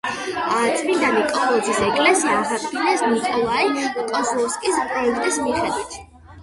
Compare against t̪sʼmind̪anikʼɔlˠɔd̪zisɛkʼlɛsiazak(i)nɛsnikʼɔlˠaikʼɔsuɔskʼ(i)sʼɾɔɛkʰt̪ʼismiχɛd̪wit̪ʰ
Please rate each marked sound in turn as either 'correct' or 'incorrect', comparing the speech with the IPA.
correct, correct

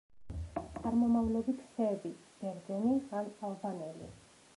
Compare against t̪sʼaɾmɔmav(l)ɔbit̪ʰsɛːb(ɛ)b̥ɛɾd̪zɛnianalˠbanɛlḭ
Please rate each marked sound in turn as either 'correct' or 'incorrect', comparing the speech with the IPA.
correct, incorrect: i

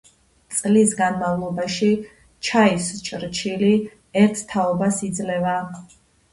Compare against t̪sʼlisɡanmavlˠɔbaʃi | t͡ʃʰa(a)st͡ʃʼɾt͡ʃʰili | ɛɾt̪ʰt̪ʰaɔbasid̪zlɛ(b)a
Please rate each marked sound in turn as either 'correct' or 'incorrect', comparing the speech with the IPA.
incorrect: i, incorrect: v

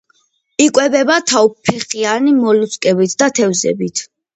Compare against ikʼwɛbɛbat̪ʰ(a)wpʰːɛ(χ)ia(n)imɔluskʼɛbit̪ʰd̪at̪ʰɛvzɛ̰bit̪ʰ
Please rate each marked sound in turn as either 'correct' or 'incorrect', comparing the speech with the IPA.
correct, correct, correct

